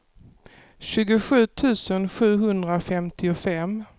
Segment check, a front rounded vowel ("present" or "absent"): absent